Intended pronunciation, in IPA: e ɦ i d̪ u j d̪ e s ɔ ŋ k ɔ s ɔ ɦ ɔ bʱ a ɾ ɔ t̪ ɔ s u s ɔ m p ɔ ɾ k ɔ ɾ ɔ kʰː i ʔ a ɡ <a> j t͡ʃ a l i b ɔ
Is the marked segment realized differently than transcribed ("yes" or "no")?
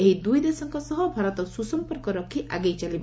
yes